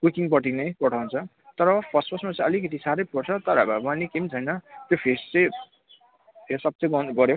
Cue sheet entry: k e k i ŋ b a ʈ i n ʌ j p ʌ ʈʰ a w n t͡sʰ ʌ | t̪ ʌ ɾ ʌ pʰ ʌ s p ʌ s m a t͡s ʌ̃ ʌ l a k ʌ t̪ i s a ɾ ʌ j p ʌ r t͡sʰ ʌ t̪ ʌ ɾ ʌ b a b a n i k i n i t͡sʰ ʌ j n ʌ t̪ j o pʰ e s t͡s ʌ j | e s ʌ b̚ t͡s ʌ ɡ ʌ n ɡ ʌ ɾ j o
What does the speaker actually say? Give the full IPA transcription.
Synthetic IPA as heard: k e k i ŋ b ʌ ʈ i n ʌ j p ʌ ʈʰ a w n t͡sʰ ʌ | t̪ ʌ ɾ ʌ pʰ ʌ s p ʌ s m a t͡s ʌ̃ ʌ l i k ʌ t̪ i s a ɾ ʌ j p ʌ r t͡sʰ ʌ t̪ ʌ ɾ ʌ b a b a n i k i m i t͡sʰ ʌ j n ʌ t̪ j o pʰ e s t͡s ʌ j | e s ʌ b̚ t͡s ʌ ɡ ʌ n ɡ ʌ ɾ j o